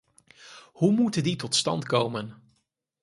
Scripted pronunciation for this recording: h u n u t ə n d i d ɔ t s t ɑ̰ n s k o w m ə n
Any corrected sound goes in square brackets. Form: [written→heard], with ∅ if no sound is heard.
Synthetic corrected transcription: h u [n→m] u t ə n d i [d→t] ɔ t s t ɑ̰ n [s→t] k o w m ə n